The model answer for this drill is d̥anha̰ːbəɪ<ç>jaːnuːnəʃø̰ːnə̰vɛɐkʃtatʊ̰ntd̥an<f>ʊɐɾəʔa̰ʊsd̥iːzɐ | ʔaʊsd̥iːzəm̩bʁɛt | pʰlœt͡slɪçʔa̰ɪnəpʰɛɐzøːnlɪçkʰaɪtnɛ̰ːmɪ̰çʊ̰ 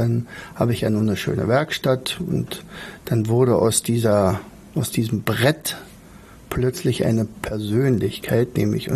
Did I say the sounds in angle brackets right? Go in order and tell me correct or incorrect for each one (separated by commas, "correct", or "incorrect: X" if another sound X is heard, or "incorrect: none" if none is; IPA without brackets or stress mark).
correct, incorrect: v